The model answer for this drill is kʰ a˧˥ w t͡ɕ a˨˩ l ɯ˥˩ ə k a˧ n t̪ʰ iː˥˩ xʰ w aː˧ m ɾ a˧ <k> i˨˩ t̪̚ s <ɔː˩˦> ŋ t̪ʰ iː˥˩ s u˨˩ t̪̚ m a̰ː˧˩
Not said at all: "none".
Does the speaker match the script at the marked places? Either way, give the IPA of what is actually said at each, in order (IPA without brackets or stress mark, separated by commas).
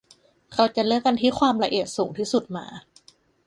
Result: ʔ, uː˩˦